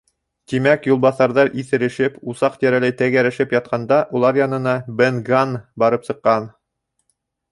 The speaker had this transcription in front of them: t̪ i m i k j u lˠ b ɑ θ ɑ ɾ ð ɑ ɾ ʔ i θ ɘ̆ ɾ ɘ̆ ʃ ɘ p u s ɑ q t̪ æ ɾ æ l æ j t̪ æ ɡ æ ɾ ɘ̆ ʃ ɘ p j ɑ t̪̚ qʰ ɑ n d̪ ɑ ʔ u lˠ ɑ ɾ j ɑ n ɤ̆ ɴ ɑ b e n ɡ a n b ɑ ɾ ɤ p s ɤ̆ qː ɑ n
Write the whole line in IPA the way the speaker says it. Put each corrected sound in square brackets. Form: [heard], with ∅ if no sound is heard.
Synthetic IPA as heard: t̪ i m [æ] k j u lˠ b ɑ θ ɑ ɾ ð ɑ ɾ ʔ i θ ɘ̆ ɾ ɘ̆ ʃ ɘ p u s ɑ q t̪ æ ɾ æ l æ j t̪ æ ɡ æ ɾ ɘ̆ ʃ ɘ p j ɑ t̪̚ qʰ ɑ n d̪ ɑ ʔ u lˠ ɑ ɾ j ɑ n ɤ̆ [n] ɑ b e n ɡ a n b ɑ ɾ ɤ p s ɤ̆ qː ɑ n